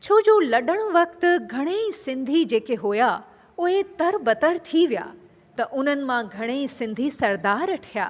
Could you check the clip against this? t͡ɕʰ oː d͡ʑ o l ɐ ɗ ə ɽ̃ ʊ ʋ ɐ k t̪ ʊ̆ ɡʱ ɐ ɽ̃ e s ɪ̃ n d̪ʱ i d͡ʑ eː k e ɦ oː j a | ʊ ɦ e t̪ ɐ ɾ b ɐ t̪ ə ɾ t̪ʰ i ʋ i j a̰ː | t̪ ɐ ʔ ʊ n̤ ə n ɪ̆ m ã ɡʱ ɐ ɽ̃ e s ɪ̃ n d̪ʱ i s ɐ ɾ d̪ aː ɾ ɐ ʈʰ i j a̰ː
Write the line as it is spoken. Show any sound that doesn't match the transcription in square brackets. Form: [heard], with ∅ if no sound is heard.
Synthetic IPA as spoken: t͡ɕʰ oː d͡ʑ o l ɐ ɗ ə ɽ̃ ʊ ʋ ɐ k t̪ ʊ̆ ɡʱ ɐ ɽ̃ e s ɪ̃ n d̪ʱ i d͡ʑ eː k e ɦ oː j a | ʊ ɦ e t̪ ɐ ɾ b ɐ t̪ ə ɾ t̪ʰ i ʋ i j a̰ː | t̪ ɐ ʔ ʊ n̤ ə n ɪ̆ m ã ɡʱ ɐ ɽ̃ e s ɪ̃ n d̪ʱ i s ɐ ɾ d̪ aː ɾ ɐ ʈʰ i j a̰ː